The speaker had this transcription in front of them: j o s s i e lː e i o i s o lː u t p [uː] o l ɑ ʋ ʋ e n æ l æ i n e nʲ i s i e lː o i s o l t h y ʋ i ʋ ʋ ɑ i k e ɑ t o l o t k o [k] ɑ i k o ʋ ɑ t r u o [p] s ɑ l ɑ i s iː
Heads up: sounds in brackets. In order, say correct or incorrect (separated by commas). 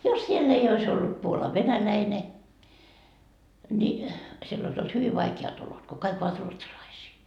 incorrect, correct, incorrect